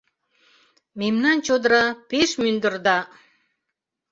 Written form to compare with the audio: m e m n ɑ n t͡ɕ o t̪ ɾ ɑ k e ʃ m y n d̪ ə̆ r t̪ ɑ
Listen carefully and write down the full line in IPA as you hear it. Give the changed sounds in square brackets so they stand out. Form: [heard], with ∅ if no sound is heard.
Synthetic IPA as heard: m e m n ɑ n t͡ɕ o [d̪] ɾ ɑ [p] e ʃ m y n d̪ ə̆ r [d̪] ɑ